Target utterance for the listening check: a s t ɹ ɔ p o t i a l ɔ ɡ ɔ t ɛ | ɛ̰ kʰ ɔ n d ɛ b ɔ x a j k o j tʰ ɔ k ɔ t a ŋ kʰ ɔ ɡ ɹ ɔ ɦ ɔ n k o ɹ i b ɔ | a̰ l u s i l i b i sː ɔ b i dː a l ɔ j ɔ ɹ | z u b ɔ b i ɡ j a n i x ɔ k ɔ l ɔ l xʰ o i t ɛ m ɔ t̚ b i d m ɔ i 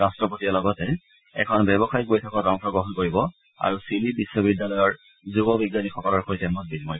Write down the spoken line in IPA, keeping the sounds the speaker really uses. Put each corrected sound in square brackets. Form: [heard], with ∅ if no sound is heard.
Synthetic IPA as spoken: a s t ɹ ɔ p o t i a l ɔ ɡ ɔ t ɛ | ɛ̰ kʰ ɔ n [b] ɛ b ɔ x a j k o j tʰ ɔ k ɔ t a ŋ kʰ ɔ ɡ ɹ ɔ ɦ ɔ n k o ɹ i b ɔ | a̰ [ɹ] u s i l i b i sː ɔ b i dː a l ɔ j ɔ ɹ | z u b ɔ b i ɡ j a n i x ɔ k ɔ l ɔ [ɹ] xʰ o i t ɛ m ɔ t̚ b i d m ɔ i